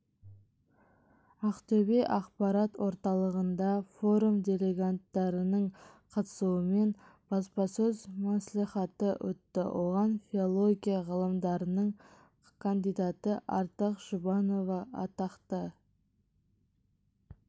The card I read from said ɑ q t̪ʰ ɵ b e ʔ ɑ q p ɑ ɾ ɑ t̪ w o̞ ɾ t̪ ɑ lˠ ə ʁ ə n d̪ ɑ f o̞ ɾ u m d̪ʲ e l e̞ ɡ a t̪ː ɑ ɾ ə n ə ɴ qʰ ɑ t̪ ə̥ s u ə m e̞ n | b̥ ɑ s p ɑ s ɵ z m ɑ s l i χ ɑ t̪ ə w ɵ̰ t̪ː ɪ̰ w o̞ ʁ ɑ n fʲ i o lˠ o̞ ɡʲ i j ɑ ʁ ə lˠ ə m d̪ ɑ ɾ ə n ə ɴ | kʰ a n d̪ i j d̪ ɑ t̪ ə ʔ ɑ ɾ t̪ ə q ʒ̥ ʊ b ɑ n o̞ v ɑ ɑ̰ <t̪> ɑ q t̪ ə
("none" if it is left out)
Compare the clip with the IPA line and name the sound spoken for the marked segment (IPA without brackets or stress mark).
t̪